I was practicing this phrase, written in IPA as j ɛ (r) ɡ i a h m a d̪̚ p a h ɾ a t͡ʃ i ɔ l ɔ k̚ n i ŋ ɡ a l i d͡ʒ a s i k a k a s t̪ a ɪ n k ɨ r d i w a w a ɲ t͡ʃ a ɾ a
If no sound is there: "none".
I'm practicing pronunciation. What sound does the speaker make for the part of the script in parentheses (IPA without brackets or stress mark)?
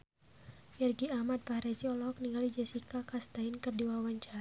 r